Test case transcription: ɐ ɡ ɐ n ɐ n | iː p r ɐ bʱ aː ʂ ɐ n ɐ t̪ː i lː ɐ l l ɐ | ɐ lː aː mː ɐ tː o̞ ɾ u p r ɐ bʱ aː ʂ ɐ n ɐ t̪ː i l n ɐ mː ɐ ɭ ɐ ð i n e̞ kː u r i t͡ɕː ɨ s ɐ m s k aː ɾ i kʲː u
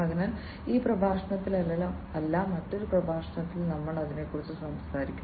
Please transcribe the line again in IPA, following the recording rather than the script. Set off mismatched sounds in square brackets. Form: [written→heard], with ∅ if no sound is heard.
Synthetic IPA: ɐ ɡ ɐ n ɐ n | iː p r ɐ bʱ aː ʂ ɐ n ɐ t̪ː i [lː→l] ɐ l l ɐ | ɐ lː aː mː ɐ tː o̞ ɾ u p r ɐ bʱ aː ʂ ɐ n ɐ t̪ː i l n ɐ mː ɐ ɭ ɐ ð i n e̞ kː u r i t͡ɕː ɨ s ɐ m s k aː ɾ i kʲː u

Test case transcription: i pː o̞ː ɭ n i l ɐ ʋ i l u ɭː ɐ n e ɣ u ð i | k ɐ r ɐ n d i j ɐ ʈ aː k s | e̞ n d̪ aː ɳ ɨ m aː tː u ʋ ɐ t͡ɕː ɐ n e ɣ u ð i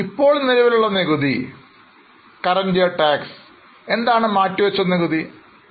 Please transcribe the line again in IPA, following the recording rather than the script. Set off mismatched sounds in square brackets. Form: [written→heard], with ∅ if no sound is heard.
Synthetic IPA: i pː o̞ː ɭ n i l ɐ ʋ i l u ɭː ɐ n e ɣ u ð i | k ɐ r ɐ n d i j ɐ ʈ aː k s | e̞ n d̪ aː ɳ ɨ m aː tː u ʋ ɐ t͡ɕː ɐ n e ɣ u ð i

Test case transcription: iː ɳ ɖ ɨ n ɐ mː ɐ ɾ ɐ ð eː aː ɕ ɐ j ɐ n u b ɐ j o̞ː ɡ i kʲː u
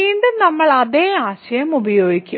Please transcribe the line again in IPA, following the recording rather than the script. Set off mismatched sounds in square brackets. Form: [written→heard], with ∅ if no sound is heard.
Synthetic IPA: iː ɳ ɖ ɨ n ɐ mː ɐ [ɾ→ɭ] ɐ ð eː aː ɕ ɐ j ɐ [n→m] u b ɐ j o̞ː ɡ i kʲː u

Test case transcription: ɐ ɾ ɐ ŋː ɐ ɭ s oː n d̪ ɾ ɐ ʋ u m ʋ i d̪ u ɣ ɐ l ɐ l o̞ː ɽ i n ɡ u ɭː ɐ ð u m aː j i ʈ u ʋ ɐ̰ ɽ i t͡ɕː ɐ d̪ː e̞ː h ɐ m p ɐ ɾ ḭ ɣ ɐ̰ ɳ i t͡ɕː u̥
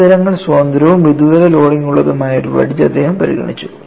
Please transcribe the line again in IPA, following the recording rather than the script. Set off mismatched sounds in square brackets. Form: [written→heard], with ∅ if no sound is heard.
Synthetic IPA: ɐ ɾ ɐ ŋː ɐ ɭ s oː n d̪ ɾ ɐ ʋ u m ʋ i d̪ u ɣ ɐ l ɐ l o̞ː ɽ i [n→ŋ] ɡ u ɭː ɐ ð u m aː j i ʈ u ʋ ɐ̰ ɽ i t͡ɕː ɐ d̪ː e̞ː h ɐ m p ɐ ɾ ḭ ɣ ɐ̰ ɳ i t͡ɕː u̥

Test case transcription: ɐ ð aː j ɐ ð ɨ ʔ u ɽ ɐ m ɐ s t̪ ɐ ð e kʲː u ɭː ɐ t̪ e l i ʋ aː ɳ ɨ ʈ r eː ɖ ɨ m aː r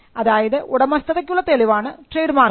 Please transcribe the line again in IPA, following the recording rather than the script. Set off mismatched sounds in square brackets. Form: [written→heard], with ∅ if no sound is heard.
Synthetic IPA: ɐ ð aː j ɐ ð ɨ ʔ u ɽ ɐ m ɐ s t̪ ɐ ð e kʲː u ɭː ɐ t̪ e l i ʋ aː ɳ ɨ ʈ r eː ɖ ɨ m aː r

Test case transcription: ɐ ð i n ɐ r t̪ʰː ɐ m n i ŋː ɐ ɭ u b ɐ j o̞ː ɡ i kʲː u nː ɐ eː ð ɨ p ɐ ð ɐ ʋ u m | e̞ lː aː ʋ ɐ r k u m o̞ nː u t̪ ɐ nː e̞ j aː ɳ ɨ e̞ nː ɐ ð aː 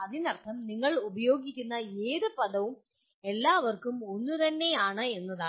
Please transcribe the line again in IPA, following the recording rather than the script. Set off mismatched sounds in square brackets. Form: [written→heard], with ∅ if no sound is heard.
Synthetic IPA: ɐ ð i n ɐ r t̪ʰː ɐ m n i ŋː ɐ ɭ u b ɐ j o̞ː ɡ i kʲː u nː ɐ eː ð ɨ p ɐ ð ɐ ʋ u m | e̞ lː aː ʋ ɐ r k u m o̞ nː u t̪ ɐ nː e̞ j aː ɳ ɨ e̞ nː ɐ ð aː

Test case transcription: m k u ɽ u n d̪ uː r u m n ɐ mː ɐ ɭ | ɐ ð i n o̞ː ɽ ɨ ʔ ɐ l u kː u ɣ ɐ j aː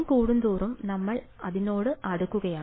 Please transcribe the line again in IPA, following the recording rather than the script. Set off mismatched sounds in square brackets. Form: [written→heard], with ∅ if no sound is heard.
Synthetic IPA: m k [u→uː] ɽ u n d̪ uː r u m n ɐ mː ɐ ɭ | ɐ ð i n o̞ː ɽ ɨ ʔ ɐ [l→ɽ] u kː u ɣ ɐ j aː

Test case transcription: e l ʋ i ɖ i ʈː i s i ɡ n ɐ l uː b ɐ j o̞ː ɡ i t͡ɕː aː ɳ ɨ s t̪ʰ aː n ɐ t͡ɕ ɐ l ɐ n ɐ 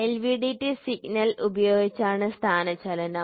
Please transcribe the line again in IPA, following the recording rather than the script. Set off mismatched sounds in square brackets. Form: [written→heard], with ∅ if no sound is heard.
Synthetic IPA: e l ʋ i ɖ i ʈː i s i ɡ n ɐ l [uː→u] b ɐ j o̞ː ɡ i t͡ɕː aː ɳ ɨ s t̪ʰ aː n ɐ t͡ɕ ɐ l ɐ n ɐ

